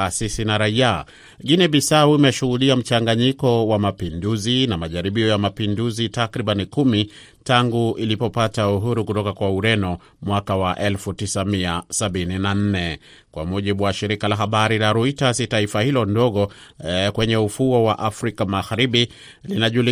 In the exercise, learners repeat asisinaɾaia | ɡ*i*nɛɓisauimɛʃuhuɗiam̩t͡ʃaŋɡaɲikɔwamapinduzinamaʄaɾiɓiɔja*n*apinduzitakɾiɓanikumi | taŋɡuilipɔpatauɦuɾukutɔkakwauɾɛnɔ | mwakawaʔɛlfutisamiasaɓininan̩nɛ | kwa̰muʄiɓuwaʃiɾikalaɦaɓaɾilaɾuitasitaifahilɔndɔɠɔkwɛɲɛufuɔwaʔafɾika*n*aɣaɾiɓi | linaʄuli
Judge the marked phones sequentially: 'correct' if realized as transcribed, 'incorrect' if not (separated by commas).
correct, incorrect, incorrect